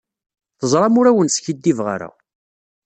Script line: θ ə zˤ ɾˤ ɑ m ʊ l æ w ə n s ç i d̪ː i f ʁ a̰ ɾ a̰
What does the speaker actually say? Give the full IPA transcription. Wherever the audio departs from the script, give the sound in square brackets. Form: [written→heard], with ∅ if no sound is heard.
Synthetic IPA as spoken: θ ə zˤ ɾˤ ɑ m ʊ [l→ɾ] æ w ə n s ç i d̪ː i [f→v] ʁ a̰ ɾ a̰